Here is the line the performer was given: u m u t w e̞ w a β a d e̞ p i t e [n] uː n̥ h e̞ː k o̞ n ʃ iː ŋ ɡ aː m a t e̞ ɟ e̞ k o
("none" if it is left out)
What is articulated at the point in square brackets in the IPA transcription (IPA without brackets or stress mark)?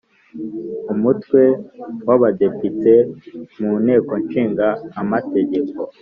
m